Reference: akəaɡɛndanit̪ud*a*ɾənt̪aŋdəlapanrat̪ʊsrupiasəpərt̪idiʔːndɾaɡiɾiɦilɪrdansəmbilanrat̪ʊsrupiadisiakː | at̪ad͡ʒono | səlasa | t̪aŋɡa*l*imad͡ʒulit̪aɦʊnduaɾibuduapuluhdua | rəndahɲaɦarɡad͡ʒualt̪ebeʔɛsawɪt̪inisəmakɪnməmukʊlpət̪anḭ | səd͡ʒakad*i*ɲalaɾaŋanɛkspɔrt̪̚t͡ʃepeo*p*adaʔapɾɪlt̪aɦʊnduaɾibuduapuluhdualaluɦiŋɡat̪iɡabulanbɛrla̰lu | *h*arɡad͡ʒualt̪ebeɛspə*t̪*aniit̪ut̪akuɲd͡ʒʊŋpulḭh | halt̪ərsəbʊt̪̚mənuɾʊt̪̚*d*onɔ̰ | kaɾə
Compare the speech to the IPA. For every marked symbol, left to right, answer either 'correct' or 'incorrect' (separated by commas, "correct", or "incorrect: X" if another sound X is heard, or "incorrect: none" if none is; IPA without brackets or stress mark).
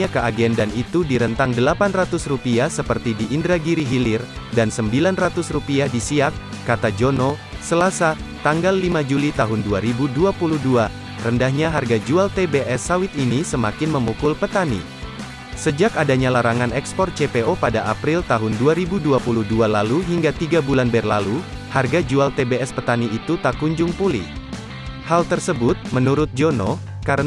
incorrect: i, incorrect: lː, incorrect: a, correct, correct, correct, incorrect: d͡ʒ